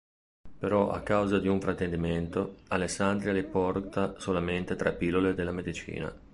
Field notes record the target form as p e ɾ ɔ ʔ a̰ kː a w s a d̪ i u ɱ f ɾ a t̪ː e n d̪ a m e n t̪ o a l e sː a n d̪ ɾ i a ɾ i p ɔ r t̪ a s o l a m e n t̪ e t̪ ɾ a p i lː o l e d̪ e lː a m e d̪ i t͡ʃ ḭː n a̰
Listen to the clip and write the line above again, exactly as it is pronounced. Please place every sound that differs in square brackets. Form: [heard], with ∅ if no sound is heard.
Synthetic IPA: p e ɾ ɔ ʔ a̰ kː a w [z] a d̪ i u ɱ f ɾ a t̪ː e n d̪ [i] m e n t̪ o a l e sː a n d̪ ɾ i a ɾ i p ɔ r t̪ a s o l a m e n t̪ e t̪ ɾ a p i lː o l e d̪ e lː a m e d̪ i t͡ʃ ḭː n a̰